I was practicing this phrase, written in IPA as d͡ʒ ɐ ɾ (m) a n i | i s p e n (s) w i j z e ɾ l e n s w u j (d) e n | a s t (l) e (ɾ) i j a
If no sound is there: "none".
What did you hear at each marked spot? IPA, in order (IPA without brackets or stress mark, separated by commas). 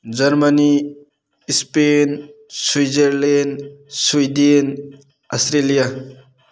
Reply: m, s, d, ɾ, l